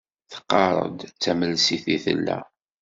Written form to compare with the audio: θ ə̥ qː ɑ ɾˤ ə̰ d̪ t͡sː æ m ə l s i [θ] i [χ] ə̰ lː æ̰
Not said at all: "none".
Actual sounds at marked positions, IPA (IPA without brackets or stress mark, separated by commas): θ, θ